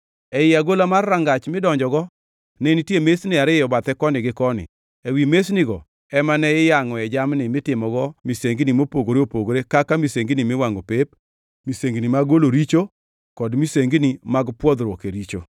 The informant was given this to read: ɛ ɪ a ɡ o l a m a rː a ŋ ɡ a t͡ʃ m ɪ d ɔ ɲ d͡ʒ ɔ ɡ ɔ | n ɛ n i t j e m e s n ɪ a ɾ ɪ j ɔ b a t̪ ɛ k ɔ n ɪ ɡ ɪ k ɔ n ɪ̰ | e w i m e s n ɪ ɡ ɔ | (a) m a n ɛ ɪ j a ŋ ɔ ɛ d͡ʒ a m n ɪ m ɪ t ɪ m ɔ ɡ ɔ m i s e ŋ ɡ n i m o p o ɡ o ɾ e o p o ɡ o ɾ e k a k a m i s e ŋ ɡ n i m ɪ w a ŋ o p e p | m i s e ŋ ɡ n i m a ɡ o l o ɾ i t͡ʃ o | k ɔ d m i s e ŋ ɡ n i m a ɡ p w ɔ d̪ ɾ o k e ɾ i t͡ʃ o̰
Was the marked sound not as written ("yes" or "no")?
yes